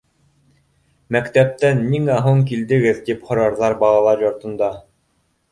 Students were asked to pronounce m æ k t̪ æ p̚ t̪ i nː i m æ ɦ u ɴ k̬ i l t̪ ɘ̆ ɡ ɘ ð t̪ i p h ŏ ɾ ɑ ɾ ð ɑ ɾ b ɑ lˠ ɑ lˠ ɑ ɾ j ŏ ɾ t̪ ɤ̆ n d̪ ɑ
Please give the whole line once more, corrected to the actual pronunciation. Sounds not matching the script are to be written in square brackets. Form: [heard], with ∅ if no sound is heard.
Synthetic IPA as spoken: m æ k t̪ æ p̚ t̪ [æ] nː i [ŋ] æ ɦ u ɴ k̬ i l [d̪] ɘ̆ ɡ ɘ ð t̪ i p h ŏ ɾ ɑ ɾ ð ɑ ɾ b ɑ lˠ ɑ lˠ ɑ ɾ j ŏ ɾ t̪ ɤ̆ n d̪ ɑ